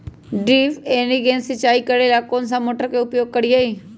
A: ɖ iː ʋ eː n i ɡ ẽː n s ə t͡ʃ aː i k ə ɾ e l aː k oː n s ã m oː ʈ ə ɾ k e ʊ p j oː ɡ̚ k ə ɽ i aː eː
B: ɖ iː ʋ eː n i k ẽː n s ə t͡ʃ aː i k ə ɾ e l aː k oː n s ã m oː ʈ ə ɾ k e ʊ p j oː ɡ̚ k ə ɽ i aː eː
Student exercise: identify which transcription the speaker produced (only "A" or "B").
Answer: A